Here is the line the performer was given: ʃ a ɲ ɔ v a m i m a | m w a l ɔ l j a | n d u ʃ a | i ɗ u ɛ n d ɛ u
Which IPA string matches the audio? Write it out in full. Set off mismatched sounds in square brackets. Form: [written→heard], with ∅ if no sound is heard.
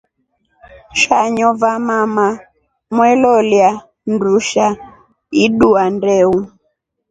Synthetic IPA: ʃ a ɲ ɔ v a m [i→a] m a | m w [a→ɛ] l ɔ l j a | n d u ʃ a | i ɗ u [ɛ→a] n d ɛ u

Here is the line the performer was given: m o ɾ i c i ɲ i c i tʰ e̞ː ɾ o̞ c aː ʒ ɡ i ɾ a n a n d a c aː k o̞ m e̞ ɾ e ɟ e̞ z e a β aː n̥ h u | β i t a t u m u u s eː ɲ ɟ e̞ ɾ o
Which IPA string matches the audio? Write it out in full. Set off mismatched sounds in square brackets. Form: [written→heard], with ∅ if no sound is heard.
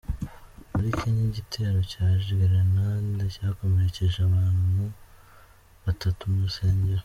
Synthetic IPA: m [o→u] ɾ i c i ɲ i [c→ɟ] i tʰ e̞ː ɾ o̞ c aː ʒ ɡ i ɾ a n a n d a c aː k o̞ m e̞ ɾ e [ɟ→c] e̞ [z→ʒ] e a β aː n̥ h u | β [i→a] t a t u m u u s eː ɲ ɟ e̞ ɾ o

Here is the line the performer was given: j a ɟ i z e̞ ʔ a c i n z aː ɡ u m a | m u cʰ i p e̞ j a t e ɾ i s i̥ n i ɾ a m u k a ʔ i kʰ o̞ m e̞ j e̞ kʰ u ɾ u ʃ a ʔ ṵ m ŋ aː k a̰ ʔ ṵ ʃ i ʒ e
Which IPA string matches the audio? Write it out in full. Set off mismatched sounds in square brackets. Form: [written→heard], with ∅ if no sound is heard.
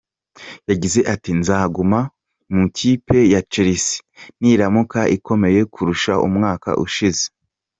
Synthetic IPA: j a ɟ i z e̞ ʔ a [c→t] i n z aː ɡ u m a | m u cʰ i p e̞ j a [t→t͡ʃ] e ɾ i s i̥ n i ɾ a m u k a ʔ i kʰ o̞ m e̞ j e̞ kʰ u ɾ u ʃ a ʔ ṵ m ŋ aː k a̰ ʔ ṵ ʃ i [ʒ→z] e

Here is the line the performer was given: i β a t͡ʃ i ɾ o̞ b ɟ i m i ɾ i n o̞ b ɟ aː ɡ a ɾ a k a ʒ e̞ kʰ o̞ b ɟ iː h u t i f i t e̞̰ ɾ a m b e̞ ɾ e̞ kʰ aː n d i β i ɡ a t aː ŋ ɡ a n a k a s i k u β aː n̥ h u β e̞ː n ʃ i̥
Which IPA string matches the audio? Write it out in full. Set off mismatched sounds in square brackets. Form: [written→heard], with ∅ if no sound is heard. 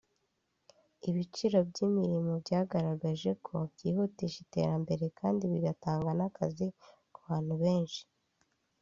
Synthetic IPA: i β [a→i] t͡ʃ i ɾ o̞ b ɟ i m i ɾ i [n→m] o̞ b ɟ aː ɡ a ɾ a [k→ɡ] a ʒ e̞ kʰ o̞ b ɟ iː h u t i [f→ʃ] i t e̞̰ ɾ a m b e̞ ɾ e̞ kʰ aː n d i β i ɡ a t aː ŋ ɡ a n a k a [s→z] i k u β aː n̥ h u β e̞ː n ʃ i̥

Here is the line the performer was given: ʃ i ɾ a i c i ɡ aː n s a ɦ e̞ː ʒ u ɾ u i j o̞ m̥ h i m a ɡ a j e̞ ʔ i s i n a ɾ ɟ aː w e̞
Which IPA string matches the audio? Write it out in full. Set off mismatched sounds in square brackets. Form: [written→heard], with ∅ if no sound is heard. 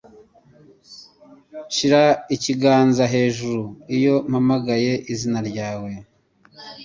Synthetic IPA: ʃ i ɾ a i c i ɡ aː n [s→z] a ɦ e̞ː ʒ u ɾ u i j o̞ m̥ h [i→a] m a ɡ a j e̞ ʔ i [s→z] i n a ɾ ɟ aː w e̞

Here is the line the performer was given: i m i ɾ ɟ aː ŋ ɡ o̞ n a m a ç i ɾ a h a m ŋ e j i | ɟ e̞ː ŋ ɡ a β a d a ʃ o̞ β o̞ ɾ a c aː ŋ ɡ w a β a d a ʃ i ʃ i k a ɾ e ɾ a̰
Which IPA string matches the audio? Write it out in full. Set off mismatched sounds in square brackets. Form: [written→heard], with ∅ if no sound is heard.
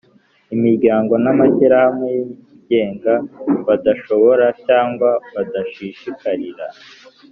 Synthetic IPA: i m i ɾ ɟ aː ŋ ɡ o̞ n a m a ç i ɾ a h a m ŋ e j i | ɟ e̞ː ŋ ɡ a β a d a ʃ o̞ β o̞ ɾ a c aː ŋ ɡ w a β a d a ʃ i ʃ i k a ɾ [e→i] ɾ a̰

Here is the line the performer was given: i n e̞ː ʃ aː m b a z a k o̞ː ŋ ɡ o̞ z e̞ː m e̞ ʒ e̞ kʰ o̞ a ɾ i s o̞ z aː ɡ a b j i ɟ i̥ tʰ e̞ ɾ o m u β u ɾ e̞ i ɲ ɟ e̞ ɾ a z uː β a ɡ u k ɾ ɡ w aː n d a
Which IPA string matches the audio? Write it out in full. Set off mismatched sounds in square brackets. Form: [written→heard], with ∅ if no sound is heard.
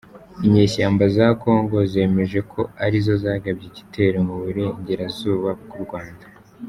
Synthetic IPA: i [n→ɲ] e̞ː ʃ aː m b a z a k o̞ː ŋ ɡ o̞ z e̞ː m e̞ ʒ e̞ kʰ o̞ a ɾ i [s→z] o̞ z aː ɡ a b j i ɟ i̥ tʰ e̞ ɾ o m u β u ɾ e̞ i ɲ ɟ e̞ ɾ a z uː β a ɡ u [k→∅] ɾ ɡ w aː n d a

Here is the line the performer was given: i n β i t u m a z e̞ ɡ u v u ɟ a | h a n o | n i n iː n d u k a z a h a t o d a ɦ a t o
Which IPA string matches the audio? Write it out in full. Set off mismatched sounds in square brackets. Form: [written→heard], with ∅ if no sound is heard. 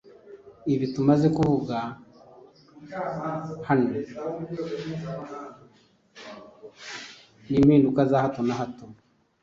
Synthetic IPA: i [n→∅] β i t u m a z e̞ [ɡ→k] u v u [ɟ→ɡ] a | h a n o | n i [n→m] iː n d u k a z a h a t o [d→n] a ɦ a t o

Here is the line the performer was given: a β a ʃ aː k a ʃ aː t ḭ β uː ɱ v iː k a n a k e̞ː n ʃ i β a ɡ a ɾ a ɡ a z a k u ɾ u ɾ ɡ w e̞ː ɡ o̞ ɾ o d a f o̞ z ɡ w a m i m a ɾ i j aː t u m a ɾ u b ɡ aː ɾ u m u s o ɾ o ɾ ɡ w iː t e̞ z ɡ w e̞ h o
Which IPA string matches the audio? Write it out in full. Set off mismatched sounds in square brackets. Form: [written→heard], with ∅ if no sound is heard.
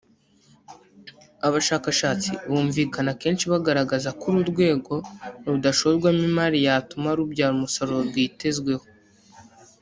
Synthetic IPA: a β a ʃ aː k a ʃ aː [t→t͡s] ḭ β uː ɱ v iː k a n a k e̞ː n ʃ i β a ɡ a ɾ a ɡ a z a k u ɾ u ɾ ɡ w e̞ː ɡ o̞ ɾ [o→u] d a [f→ʃ] o̞ z ɡ w a m i m a ɾ i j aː t u m a ɾ u b [ɡ→ɟ] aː ɾ u m u s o ɾ o ɾ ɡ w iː t e̞ z ɡ w e̞ h o

